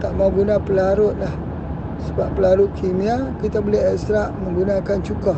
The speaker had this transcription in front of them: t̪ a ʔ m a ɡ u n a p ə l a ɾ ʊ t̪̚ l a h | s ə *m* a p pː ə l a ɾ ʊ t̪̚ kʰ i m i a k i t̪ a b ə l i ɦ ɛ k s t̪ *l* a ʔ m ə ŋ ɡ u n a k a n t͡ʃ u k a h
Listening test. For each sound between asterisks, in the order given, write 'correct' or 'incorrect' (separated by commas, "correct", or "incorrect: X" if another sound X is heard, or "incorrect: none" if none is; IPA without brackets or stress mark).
incorrect: b, incorrect: ɾ